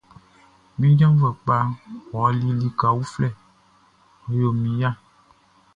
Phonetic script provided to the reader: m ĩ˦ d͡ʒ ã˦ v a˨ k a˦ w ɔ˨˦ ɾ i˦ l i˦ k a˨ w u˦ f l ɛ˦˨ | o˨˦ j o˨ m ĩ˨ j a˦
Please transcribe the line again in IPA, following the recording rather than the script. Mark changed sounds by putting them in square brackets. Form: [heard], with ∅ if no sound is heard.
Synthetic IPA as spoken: m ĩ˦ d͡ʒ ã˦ v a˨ [k͡p] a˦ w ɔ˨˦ [l] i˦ l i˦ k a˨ w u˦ f l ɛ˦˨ | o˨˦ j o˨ m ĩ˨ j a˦